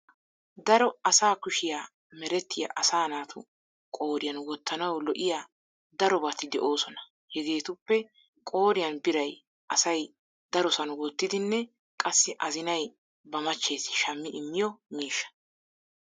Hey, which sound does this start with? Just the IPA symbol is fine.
d̪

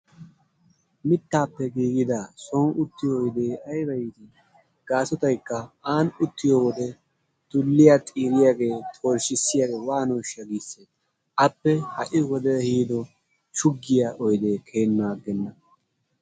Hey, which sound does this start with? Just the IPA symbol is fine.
m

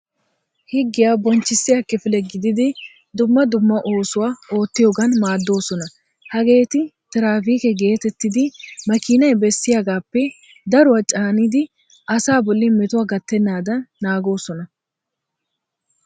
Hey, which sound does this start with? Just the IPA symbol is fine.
h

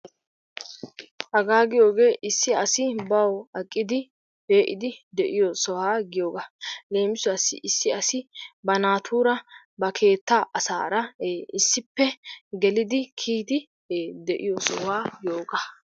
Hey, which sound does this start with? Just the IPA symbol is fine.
h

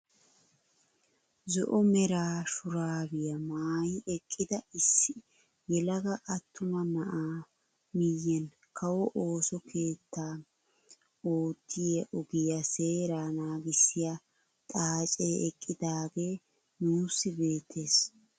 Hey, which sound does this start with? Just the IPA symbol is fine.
z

